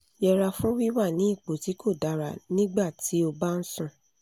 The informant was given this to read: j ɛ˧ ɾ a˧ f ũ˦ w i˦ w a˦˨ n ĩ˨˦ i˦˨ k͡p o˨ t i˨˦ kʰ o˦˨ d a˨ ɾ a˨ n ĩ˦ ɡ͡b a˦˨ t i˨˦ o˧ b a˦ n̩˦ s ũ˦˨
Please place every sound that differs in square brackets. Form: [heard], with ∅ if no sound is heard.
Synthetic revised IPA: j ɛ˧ ɾ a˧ f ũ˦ w i˦ w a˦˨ n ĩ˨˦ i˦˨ k͡p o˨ t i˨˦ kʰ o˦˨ d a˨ ɾ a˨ n ĩ˦ ɡ͡b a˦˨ t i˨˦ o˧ b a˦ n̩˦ s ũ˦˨

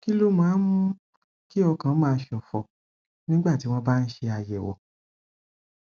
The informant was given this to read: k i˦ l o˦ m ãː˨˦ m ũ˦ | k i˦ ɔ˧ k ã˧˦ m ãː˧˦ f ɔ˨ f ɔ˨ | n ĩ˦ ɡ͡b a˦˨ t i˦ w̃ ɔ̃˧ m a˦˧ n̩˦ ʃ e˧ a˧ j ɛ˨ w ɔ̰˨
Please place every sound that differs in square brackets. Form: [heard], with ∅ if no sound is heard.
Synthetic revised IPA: k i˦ l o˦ m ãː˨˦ m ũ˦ | k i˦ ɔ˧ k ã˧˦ m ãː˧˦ [ʃ] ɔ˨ f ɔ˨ | n ĩ˦ ɡ͡b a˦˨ t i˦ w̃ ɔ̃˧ [b] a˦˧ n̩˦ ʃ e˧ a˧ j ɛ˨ w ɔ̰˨

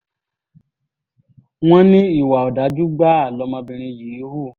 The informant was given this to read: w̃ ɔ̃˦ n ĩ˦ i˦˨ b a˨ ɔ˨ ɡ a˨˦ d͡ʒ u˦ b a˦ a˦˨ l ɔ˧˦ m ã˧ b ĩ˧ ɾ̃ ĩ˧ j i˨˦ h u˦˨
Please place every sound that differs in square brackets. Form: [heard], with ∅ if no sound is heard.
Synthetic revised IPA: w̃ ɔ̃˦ n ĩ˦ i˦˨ [w] a˨ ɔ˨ [d] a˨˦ d͡ʒ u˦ [ɡ͡b] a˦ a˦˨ l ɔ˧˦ m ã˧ b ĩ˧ ɾ̃ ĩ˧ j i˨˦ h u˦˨

